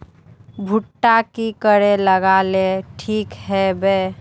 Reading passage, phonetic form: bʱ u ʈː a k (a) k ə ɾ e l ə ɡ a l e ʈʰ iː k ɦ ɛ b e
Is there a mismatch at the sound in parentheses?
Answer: yes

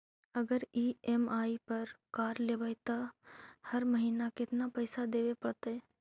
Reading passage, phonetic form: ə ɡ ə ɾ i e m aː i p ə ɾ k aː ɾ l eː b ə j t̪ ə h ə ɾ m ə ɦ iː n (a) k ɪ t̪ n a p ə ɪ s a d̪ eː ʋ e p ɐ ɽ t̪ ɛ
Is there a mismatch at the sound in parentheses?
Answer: no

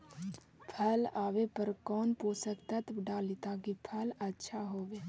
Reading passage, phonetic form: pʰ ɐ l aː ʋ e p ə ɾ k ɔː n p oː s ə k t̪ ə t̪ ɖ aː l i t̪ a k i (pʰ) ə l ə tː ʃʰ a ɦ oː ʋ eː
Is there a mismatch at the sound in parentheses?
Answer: no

